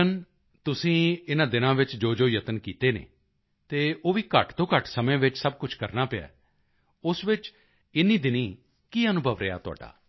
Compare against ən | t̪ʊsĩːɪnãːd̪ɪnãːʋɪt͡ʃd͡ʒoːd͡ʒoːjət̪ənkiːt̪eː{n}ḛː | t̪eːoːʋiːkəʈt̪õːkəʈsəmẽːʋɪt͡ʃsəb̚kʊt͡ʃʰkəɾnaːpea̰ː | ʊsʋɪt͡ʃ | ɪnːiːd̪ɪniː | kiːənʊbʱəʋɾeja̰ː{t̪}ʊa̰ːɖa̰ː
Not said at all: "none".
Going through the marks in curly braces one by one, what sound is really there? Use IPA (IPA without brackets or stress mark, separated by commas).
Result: n, t̪